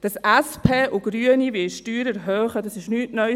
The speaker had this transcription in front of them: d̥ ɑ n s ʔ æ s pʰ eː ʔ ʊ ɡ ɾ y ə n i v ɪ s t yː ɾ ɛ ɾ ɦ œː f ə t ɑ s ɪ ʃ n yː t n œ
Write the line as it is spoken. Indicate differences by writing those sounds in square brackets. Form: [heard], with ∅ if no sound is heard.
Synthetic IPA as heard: d̥ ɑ [∅] s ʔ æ s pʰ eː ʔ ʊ ɡ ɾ y ə n i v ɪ [ʃ] t yː ɾ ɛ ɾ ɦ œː [χ] ə [d] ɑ s ɪ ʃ n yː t n œ